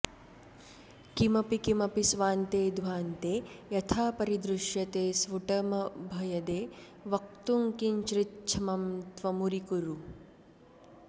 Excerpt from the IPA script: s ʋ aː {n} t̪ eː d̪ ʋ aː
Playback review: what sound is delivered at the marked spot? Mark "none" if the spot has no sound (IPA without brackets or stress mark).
n